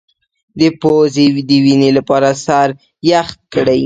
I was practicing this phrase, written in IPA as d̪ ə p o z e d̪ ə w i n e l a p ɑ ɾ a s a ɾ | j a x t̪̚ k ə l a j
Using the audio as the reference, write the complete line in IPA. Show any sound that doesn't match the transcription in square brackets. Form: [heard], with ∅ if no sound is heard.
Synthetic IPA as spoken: d̪ ə p o z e d̪ ə w i n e l a p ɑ ɾ a s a ɾ | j a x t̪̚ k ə [ɽ] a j